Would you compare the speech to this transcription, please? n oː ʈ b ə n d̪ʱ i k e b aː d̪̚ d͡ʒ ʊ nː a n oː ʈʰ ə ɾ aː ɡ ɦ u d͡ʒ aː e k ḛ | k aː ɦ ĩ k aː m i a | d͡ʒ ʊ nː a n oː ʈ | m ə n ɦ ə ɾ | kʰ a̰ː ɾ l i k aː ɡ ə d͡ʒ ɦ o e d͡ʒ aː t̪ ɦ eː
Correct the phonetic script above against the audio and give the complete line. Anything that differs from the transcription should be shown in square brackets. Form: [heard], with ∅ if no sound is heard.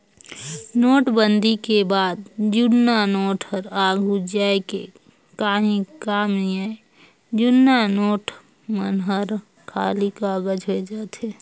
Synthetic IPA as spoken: n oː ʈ b ə n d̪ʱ i k e b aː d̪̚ d͡ʒ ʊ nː a n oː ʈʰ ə ɾ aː ɡ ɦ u d͡ʒ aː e k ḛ | k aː ɦ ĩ k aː m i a | d͡ʒ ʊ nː a n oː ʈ | m ə n ɦ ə ɾ | kʰ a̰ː [∅] l i k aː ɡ ə d͡ʒ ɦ o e d͡ʒ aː t̪ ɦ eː